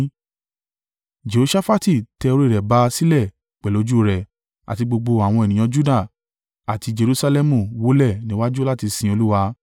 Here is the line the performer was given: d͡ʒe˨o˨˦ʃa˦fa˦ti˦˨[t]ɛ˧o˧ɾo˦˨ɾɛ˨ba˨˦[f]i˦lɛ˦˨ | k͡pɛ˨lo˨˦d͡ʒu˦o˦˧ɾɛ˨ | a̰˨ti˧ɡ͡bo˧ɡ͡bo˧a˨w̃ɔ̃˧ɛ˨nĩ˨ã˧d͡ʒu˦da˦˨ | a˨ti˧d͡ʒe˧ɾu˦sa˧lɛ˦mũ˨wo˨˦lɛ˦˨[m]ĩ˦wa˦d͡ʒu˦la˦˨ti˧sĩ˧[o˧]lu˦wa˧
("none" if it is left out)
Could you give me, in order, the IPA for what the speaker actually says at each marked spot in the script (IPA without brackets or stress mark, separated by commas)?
t, s, n, o˧